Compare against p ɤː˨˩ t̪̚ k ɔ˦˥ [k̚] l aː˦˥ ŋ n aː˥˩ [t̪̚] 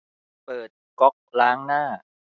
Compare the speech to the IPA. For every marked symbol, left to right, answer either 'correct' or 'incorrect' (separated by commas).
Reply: correct, incorrect